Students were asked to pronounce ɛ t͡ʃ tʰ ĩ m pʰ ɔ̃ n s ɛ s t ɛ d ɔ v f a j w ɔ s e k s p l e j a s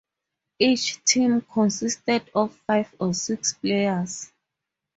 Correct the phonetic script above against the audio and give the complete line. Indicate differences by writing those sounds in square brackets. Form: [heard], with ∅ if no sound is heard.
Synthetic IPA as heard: [i] t͡ʃ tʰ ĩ m [kʰ] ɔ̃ n s [i] s t ɛ d ɔ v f a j [v] ɔ s [i] k s p l e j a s

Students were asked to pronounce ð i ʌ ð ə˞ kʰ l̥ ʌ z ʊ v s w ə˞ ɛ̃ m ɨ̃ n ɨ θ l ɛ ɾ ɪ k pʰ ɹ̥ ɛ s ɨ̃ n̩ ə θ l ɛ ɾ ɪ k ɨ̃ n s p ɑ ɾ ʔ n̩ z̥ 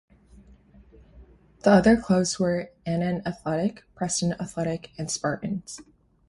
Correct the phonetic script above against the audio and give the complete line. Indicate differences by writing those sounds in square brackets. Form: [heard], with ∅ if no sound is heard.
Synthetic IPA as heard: ð i ʌ ð ə˞ kʰ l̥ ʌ [∅] ʊ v [z] w ə˞ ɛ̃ [n] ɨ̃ n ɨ θ l ɛ ɾ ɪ k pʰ ɹ̥ ɛ s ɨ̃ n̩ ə θ l ɛ ɾ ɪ k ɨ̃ n s p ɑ [ɹ] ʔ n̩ z̥

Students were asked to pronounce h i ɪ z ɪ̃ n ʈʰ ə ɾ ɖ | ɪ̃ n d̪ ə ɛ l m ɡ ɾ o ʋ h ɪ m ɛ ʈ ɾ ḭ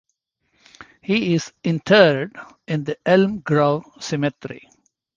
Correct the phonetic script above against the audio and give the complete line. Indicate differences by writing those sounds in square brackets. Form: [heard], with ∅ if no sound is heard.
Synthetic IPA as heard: h i ɪ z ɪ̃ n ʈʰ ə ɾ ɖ | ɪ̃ n d̪ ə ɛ l m ɡ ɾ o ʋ [s] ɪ m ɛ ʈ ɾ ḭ

